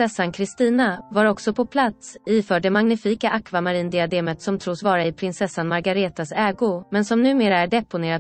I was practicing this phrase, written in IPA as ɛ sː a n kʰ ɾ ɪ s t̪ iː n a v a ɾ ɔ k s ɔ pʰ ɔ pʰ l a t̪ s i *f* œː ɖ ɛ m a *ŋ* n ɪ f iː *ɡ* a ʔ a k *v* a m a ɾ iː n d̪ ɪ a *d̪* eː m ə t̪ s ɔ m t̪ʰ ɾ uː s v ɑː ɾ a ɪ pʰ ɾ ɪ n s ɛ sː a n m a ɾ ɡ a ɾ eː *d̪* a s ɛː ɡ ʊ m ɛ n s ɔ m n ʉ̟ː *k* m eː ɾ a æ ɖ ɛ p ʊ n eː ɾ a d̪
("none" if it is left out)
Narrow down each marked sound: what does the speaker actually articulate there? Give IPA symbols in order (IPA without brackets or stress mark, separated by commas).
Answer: f, ŋ, k, v, d̪, t̪, none